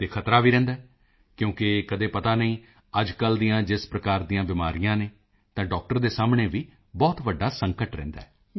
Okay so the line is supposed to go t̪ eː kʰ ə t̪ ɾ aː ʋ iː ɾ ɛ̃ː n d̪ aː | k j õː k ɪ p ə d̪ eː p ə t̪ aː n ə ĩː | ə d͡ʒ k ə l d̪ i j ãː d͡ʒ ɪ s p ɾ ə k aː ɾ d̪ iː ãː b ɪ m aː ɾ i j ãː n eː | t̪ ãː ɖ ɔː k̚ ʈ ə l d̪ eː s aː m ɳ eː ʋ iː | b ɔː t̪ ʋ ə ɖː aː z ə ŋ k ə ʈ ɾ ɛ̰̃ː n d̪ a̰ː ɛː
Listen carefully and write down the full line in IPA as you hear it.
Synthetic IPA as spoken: t̪ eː kʰ ə t̪ ɾ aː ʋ iː ɾ ɛ̃ː n d̪ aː | k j õː k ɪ k ə d̪ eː p ə t̪ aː n ə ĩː | ə d͡ʒ k ə l d̪ i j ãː d͡ʒ ɪ s p ɾ ə k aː ɾ d̪ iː ãː b ɪ m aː ɾ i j ãː n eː | t̪ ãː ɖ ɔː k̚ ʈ ə ɾ d̪ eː s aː m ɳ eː ʋ iː | b ɔː t̪ ʋ ə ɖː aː s ə ŋ k ə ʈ ɾ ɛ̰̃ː n d̪ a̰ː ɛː